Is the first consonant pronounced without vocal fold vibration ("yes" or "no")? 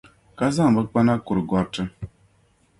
yes